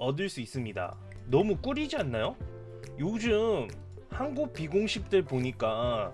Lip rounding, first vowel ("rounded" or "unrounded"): unrounded